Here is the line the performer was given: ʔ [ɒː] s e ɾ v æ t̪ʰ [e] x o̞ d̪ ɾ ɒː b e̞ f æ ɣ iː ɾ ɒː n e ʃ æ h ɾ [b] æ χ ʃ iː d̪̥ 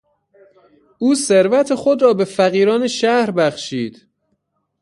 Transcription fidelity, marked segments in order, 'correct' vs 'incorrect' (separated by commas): incorrect, correct, correct